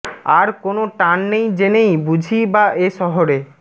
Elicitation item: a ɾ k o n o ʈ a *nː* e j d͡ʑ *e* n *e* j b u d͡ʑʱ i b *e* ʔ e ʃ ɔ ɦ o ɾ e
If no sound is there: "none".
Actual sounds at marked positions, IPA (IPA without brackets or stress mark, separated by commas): nː, e, e, a